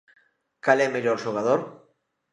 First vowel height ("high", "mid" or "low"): low